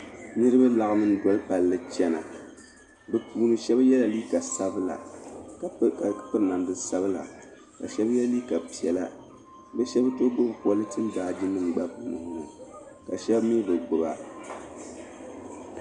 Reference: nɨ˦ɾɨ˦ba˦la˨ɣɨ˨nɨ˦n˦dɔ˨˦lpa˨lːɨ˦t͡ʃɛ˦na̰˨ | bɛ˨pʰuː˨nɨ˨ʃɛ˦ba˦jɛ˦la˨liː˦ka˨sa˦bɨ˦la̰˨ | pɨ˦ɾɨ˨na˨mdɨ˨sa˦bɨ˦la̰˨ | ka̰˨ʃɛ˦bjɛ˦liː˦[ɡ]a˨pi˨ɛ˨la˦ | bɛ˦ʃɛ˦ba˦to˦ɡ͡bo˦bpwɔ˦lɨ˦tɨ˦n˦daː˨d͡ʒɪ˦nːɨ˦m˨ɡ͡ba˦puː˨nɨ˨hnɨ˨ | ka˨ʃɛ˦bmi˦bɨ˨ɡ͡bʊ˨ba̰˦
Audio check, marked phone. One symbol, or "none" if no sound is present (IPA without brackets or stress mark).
k